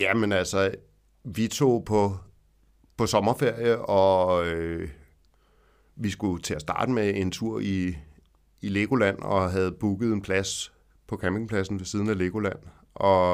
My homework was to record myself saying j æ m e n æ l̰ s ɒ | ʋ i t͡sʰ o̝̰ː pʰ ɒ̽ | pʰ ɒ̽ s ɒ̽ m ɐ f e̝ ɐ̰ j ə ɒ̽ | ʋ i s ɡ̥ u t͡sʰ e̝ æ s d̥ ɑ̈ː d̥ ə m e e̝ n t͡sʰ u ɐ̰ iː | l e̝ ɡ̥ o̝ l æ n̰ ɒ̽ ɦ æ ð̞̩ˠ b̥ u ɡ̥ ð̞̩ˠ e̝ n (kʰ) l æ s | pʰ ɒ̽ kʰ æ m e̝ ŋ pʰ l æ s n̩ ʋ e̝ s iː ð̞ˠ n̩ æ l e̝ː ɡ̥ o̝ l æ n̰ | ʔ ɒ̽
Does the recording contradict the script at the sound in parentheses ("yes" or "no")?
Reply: yes